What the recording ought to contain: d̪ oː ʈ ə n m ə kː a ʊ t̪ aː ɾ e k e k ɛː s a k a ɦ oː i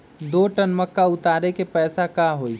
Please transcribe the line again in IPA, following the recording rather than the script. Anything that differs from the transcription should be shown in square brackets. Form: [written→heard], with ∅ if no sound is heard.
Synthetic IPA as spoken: d̪ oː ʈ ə n m ə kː a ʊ t̪ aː ɾ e k e [k→p] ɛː s a k a ɦ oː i